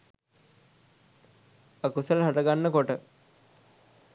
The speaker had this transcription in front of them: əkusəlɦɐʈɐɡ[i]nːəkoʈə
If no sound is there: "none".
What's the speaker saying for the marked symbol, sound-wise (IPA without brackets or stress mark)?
a